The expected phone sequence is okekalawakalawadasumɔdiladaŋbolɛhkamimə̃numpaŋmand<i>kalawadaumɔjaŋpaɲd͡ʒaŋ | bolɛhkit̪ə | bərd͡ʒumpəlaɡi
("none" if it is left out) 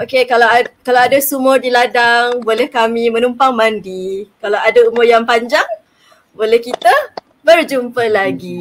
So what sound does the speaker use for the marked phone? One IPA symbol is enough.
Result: i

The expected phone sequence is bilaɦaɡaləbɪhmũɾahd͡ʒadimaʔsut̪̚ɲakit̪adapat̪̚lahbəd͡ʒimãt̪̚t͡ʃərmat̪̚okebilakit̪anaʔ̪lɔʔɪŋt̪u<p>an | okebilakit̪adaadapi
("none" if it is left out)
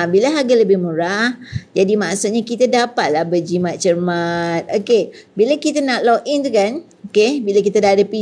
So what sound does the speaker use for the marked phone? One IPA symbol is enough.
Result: k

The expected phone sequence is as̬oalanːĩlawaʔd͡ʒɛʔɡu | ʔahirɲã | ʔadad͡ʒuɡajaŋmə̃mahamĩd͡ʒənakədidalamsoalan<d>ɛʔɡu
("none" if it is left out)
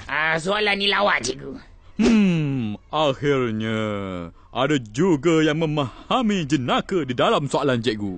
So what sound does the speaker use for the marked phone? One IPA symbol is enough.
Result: d͡ʒ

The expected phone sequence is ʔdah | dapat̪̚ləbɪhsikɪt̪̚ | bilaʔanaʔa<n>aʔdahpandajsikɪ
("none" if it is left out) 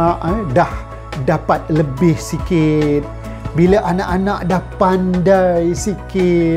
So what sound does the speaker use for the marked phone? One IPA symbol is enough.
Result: n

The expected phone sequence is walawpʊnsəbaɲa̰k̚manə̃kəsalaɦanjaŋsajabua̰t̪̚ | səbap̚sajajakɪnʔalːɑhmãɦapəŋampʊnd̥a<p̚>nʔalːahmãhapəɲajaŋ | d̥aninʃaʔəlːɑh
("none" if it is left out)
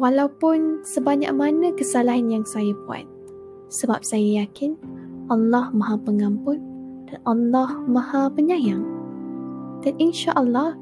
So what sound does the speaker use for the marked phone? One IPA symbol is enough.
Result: none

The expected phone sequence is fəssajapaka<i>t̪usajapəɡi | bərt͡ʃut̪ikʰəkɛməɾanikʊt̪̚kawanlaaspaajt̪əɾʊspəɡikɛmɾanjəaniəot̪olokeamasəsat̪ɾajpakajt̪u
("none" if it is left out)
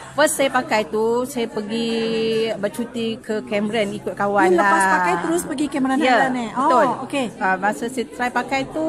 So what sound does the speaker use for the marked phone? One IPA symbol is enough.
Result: j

